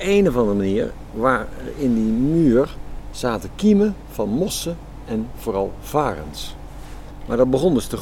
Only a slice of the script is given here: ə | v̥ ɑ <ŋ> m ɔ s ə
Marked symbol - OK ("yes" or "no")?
no